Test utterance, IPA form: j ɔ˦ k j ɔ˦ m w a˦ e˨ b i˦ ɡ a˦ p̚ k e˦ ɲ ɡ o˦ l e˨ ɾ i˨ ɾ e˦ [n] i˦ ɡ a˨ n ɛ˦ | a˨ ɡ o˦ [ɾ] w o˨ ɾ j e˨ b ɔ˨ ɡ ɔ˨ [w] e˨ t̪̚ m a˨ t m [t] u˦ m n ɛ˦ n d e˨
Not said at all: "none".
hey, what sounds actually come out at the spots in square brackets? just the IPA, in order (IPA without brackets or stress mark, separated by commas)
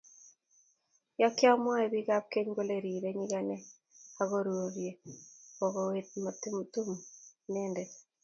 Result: ɲ, ɾ, w, t